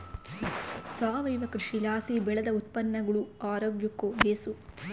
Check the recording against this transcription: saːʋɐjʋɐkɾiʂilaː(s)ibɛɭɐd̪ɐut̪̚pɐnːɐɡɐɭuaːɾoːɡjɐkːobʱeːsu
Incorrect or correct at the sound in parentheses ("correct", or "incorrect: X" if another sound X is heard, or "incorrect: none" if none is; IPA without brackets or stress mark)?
correct